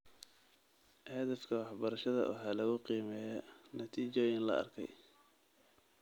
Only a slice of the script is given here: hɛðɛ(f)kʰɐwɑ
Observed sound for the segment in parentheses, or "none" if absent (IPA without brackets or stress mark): f